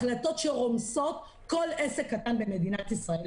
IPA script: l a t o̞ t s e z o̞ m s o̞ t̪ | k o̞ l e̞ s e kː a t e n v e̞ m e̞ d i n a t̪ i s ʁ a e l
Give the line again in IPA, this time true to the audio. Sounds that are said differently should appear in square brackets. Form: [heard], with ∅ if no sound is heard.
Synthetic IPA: l a t o̞ t [ʃ] e [ʁ] o̞ m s o̞ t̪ | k o̞ l e̞ s e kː a t [a] n [b] e̞ m e̞ d i n a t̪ i s ʁ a e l

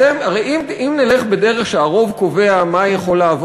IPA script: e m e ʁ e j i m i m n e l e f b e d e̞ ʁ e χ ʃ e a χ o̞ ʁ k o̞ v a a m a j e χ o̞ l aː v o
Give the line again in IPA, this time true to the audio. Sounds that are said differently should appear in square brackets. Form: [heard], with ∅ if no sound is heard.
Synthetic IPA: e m [a] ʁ e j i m i m n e l e [χ] b e d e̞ ʁ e χ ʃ e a [ʁ] o̞ [v] k o̞ v [e] a m a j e χ o̞ l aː v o

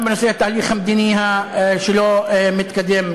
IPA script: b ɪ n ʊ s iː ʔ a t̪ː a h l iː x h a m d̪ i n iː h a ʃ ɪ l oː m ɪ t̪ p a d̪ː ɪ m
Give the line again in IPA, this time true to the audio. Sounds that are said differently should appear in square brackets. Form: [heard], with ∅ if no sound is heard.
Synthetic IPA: b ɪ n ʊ s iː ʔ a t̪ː a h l iː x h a m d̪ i n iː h a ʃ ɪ l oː m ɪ t̪ [k] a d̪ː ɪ m

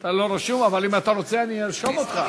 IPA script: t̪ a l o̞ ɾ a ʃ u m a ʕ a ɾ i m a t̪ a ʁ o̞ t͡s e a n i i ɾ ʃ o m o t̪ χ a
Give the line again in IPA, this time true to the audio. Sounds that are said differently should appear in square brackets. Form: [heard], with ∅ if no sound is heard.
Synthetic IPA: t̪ a l o̞ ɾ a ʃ u m a [v] a [l] i m a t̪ a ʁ o̞ t͡s e a n i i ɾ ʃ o m o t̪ χ a

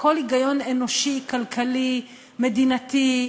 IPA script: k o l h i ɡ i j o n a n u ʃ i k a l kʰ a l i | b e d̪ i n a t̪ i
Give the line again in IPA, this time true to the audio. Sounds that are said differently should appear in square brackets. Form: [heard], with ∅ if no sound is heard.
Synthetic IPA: k o l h i ɡ [a] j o n [e] n [o] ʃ i k a l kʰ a l i | [m] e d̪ i n a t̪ i

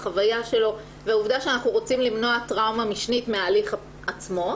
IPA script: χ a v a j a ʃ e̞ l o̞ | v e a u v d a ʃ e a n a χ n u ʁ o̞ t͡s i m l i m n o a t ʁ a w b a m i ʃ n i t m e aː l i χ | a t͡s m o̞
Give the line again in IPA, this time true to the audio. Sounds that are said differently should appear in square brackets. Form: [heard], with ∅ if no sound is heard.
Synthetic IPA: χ a v a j a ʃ e̞ l o̞ | v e a u v d a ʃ e a n a χ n u ʁ o̞ t͡s i m l i m n o a t ʁ a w [m] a m i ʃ n i t m e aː l i χ | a t͡s m o̞

